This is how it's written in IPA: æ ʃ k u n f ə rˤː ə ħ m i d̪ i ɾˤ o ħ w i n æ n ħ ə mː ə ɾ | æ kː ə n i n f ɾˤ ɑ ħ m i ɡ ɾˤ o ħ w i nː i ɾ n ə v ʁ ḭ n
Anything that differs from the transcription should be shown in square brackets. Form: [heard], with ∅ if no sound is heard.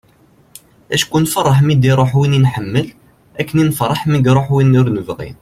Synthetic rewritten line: æ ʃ k u n f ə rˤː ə ħ m i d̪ i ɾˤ o ħ w i n [i] n ħ ə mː ə [l] | æ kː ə n i n f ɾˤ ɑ ħ m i ɡ ɾˤ o ħ w i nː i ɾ n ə v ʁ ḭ n

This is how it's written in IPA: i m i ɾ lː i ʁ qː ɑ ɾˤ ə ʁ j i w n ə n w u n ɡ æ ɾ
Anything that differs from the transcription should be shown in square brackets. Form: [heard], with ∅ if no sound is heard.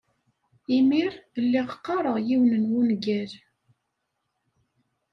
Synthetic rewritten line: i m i ɾ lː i ʁ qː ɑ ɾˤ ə ʁ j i w n ə n w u n ɡ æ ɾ

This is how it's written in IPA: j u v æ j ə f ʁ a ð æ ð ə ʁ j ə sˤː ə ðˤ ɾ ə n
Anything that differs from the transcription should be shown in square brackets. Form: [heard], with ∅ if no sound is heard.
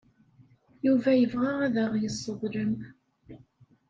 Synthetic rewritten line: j u v æ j ə [v] ʁ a [ʁ] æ ð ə ʁ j ə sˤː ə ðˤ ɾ ə [m]

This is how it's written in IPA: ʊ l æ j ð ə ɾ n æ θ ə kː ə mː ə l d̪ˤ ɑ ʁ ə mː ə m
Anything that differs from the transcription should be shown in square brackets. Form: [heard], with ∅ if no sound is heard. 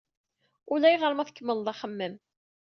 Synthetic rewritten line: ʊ l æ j [ʁ] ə ɾ [m] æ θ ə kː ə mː ə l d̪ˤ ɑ [χ] ə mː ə m

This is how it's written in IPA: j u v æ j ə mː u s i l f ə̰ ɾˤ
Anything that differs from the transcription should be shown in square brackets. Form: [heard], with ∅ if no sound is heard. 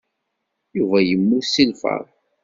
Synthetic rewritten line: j u v æ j ə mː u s i l f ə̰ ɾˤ

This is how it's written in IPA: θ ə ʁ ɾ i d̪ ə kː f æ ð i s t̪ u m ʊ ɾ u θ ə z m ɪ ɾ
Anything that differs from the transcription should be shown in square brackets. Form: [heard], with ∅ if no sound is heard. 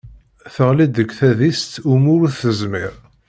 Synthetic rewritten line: θ ə ʁ [l] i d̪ ə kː [θ] æ ð i s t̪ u m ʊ ɾ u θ ə z m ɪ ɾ

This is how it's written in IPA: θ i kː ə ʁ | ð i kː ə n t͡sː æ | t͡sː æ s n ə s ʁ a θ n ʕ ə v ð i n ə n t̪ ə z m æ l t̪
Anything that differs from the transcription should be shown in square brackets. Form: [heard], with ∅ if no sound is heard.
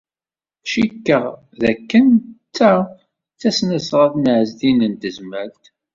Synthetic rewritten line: [ʃ] i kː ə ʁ | ð [æ] kː ə n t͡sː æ | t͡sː æ s n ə s ʁ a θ n ʕ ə [z] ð i n ə n t̪ ə z m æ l t̪

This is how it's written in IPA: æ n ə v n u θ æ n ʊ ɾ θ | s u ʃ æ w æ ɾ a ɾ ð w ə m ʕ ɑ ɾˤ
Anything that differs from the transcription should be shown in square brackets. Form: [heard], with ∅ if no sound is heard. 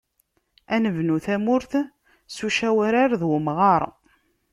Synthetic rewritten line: æ n ə v n u θ æ [m] ʊ ɾ θ | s u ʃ æ w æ ɾ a ɾ ð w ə m [ʁ] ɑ ɾˤ

